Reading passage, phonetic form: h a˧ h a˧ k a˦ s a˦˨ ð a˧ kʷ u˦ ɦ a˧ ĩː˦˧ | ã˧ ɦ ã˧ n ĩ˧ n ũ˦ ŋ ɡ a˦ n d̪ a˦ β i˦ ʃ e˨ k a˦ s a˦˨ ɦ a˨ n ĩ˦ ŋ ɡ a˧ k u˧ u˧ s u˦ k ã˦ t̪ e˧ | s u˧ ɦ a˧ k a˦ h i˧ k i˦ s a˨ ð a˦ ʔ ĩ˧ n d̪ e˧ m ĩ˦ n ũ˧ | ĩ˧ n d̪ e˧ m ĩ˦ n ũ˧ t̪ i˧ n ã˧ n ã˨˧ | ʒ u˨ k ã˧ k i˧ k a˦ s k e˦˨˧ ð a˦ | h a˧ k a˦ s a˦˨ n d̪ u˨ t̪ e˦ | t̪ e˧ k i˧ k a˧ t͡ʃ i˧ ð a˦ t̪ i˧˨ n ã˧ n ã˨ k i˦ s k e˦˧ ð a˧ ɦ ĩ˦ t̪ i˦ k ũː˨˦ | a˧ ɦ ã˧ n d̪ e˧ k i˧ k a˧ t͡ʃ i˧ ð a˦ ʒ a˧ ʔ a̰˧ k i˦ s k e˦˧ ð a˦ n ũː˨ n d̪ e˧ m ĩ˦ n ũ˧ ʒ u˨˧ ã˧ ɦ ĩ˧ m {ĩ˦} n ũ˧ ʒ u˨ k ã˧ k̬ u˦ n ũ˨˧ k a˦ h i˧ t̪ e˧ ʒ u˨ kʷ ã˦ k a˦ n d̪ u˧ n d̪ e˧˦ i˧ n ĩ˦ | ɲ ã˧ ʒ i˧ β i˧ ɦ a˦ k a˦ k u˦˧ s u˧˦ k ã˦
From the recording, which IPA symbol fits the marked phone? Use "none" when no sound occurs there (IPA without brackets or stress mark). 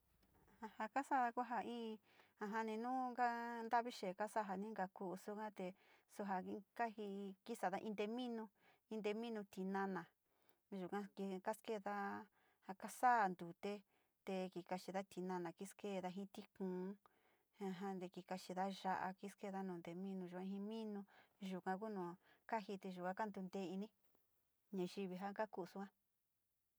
ĩ˦